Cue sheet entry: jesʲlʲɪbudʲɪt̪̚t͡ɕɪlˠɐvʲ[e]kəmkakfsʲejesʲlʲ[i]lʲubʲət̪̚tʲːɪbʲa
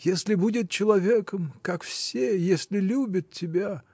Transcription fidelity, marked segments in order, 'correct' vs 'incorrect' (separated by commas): correct, incorrect